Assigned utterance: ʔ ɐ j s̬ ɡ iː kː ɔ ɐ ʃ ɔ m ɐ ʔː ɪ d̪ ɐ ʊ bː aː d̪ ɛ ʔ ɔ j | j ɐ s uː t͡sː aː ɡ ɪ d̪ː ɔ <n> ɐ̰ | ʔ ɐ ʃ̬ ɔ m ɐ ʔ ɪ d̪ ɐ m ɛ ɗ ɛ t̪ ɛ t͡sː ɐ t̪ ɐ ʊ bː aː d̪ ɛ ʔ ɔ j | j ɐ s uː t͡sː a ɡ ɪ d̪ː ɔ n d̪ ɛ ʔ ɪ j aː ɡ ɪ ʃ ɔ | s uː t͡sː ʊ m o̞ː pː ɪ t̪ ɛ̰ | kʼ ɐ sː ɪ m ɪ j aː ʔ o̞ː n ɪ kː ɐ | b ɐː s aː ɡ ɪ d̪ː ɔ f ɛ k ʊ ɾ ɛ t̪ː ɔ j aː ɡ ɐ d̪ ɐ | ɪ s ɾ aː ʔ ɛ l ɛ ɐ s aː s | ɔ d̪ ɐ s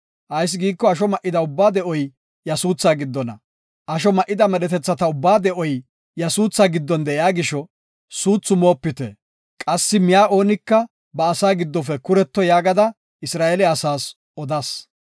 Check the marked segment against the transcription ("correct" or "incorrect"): correct